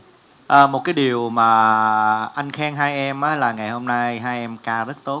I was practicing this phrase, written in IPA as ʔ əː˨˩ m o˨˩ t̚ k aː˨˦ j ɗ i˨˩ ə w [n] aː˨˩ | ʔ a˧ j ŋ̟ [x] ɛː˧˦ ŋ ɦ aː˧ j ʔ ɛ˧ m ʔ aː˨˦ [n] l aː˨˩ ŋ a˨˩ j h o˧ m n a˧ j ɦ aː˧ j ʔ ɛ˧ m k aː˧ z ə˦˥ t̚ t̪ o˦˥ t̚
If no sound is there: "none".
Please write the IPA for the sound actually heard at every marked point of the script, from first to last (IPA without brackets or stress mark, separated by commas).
m, x, none